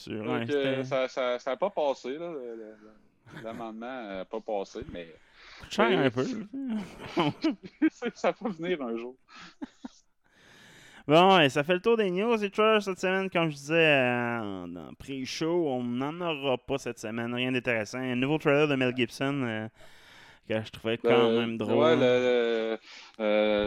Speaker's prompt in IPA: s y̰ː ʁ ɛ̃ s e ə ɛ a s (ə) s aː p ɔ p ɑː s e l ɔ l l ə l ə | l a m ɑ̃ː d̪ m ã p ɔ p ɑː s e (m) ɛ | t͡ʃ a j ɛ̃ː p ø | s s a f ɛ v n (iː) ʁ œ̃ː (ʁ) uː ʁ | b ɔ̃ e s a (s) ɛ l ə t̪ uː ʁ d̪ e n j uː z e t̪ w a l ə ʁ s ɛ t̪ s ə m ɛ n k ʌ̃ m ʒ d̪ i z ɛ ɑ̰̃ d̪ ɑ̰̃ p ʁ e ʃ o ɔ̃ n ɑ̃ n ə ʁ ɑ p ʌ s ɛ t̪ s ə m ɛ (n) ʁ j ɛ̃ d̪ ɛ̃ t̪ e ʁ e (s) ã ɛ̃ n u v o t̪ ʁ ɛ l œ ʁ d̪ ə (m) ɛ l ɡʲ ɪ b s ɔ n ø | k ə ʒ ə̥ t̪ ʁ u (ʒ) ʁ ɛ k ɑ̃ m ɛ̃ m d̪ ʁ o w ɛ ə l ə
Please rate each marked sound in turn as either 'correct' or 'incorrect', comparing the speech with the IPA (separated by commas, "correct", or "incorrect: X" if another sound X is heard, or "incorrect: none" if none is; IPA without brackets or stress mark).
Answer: incorrect: a, correct, correct, incorrect: ʒ, incorrect: f, correct, correct, correct, incorrect: v